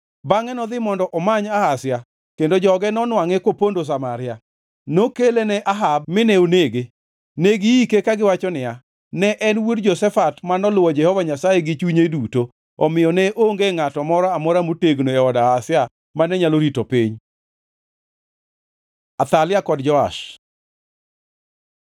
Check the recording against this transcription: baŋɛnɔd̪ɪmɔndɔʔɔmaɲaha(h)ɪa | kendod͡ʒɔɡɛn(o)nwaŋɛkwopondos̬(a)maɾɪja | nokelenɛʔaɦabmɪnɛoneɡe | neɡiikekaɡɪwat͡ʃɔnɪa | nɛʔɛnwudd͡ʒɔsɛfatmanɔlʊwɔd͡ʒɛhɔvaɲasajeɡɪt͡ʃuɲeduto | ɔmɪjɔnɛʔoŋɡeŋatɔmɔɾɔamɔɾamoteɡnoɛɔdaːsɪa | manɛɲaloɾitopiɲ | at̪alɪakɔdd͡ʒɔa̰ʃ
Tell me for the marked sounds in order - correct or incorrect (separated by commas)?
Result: incorrect, incorrect, correct